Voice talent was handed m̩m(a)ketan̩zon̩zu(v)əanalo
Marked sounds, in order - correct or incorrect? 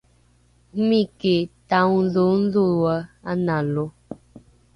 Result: incorrect: i, incorrect: w

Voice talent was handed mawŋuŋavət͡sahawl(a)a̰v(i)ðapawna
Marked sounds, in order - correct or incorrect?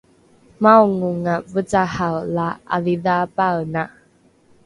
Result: correct, correct

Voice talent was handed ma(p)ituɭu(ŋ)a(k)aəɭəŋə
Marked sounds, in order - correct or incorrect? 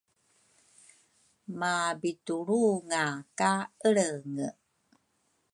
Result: incorrect: b, correct, correct

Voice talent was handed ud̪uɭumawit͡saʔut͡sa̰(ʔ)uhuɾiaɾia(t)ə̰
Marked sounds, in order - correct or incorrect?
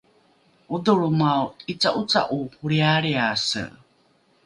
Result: correct, incorrect: s

